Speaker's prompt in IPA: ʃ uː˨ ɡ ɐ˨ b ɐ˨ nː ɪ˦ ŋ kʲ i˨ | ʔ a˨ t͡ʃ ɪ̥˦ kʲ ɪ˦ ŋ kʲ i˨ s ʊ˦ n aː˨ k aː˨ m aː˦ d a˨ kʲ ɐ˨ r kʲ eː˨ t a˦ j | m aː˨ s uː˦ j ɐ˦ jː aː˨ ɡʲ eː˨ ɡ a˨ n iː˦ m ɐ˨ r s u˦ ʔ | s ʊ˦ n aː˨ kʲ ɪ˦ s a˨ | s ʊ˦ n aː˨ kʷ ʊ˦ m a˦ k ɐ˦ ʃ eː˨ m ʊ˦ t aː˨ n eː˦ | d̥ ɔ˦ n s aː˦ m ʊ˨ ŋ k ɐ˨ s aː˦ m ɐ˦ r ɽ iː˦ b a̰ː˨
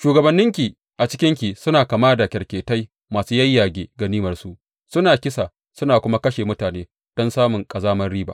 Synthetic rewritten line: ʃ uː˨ ɡ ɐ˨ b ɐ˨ nː ɪ˦ ŋ kʲ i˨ | ʔ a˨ t͡ʃ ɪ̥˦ kʲ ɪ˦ ŋ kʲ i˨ s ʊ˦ n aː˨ k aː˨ m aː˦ d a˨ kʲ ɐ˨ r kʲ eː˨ t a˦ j | m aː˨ s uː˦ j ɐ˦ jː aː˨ ɡʲ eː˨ ɡ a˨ n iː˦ m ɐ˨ r s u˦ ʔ | s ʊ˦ n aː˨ kʲ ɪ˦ s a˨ | s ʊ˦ n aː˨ kʷ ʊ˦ m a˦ k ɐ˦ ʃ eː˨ m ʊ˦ t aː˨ n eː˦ | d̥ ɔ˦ n s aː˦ m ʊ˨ ŋ kʼ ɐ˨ z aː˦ m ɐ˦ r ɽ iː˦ b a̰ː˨